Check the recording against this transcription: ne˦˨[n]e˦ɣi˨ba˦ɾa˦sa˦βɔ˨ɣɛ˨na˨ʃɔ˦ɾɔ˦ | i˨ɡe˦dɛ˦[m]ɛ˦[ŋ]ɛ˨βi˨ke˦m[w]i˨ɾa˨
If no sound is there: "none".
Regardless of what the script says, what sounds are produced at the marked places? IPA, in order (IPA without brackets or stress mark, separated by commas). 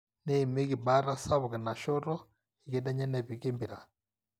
m, ɲ, n, b